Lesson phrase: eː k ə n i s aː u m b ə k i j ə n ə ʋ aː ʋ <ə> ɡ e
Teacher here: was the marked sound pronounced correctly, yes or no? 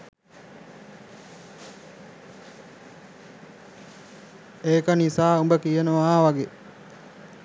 no